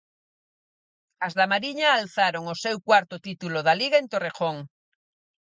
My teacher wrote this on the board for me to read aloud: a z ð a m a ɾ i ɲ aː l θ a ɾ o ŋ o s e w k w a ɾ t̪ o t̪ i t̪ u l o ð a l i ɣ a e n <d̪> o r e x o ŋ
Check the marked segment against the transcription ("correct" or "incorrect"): incorrect